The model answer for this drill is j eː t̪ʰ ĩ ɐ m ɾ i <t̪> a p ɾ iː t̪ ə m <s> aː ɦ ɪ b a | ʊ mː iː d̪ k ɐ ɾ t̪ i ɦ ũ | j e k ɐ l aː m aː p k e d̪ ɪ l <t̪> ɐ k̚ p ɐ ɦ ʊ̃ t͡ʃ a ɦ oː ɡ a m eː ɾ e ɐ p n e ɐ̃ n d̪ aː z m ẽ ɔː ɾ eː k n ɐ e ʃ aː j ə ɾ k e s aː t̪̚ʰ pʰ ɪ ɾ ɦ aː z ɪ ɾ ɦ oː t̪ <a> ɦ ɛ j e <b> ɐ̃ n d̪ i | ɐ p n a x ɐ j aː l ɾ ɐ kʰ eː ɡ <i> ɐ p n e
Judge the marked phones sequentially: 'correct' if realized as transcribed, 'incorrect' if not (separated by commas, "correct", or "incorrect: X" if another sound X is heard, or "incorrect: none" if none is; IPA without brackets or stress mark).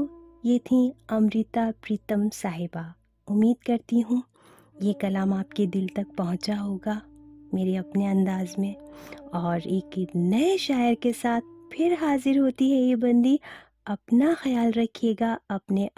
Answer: correct, correct, correct, incorrect: i, correct, incorrect: a